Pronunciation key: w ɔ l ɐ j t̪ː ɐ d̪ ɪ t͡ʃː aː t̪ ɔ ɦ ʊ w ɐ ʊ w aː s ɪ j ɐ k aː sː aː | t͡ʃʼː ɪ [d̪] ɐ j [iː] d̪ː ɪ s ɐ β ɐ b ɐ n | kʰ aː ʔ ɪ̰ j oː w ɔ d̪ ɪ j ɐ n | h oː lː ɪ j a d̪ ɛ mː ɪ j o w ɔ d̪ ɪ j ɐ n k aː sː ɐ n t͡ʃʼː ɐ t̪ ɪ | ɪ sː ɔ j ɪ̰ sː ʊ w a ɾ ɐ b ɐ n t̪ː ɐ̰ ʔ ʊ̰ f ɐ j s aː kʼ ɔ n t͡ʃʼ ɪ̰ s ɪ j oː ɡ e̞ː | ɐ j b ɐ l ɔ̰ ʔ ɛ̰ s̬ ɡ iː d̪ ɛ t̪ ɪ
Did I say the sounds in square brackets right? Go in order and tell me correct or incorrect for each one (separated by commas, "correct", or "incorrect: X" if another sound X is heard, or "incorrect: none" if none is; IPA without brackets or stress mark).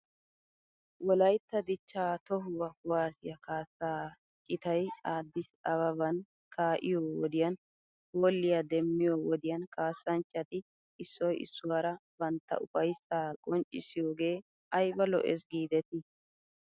incorrect: t̪, incorrect: aː